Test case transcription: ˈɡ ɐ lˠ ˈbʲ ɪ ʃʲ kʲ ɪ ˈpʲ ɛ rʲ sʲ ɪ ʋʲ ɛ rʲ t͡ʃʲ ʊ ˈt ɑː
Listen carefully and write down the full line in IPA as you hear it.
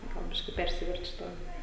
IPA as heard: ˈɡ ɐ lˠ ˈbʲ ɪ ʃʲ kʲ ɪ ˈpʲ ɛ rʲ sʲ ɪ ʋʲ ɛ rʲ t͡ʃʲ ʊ ˈt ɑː